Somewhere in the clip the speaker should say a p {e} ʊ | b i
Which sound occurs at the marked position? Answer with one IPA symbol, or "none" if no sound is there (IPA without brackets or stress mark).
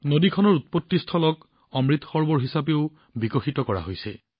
e